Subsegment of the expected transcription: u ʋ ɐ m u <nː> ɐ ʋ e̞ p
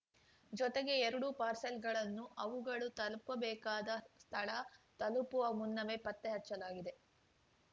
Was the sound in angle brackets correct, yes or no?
yes